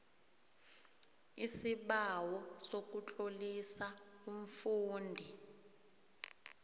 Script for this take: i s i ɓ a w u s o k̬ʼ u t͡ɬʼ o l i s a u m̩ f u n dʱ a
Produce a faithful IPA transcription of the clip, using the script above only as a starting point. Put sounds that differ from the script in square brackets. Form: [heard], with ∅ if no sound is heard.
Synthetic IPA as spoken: i s i ɓ a w [ɔ] s o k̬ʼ u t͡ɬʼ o l i s a u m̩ f [uː] n dʱ [i]